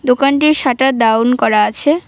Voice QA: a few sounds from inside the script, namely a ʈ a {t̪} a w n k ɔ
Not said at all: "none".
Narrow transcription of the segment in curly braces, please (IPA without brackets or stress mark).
d̪